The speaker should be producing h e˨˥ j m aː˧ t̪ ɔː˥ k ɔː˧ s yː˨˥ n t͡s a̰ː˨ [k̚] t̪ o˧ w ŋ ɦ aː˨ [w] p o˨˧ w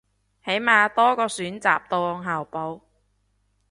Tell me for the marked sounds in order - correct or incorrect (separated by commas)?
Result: incorrect, correct